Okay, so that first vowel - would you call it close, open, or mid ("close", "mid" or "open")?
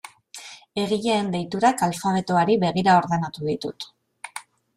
mid